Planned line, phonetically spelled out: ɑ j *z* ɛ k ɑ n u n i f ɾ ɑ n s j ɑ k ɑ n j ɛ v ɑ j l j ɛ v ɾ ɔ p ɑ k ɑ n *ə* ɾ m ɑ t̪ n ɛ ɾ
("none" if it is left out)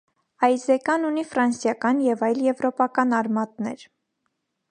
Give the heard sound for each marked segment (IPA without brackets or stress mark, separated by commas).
z, ɑ